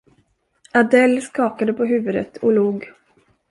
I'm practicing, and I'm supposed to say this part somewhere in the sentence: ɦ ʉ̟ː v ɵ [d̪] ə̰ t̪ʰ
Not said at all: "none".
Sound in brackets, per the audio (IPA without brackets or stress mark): d̪